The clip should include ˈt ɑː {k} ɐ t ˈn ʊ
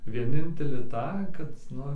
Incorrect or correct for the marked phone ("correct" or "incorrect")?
correct